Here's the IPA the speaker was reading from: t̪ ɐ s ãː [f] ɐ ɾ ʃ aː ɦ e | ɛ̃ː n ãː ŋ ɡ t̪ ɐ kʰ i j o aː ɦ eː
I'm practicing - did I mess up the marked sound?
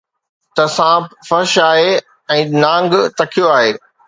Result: no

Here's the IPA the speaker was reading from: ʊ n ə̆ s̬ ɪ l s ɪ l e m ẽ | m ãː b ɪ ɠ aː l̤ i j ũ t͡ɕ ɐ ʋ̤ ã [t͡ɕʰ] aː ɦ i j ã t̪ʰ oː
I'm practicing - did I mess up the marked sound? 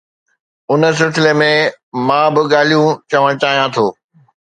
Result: yes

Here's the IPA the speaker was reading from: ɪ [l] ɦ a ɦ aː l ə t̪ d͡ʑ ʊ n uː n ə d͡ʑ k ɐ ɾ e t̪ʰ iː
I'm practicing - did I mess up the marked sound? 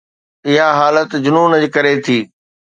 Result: yes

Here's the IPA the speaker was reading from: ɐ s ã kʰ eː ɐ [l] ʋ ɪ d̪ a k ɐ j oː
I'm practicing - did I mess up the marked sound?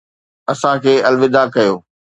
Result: no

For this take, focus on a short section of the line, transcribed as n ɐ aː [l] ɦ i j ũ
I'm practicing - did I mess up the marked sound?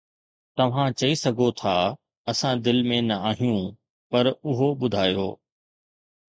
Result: yes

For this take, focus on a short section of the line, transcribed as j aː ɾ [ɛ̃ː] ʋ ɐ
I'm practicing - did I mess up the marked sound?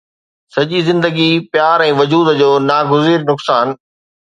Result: no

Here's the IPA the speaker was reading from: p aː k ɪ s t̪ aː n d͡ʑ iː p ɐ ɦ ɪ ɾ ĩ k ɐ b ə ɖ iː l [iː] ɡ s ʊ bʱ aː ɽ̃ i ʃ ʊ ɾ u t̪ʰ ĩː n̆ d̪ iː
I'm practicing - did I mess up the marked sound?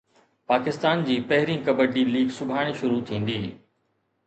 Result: no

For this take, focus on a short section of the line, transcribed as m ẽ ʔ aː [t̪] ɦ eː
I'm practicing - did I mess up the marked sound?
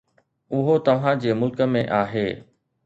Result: yes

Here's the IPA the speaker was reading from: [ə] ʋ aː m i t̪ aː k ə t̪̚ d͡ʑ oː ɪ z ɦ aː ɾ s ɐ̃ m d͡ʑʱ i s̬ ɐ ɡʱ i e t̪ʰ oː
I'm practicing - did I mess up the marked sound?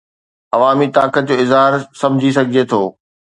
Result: yes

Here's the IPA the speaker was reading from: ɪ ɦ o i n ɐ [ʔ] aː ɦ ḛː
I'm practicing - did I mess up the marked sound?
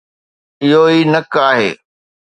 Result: yes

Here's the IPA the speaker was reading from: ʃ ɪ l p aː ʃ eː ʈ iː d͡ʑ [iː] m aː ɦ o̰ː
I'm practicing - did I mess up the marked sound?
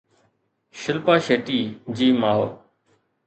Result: no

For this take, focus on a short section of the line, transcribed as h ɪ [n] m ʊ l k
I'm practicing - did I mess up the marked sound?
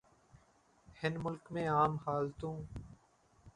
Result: no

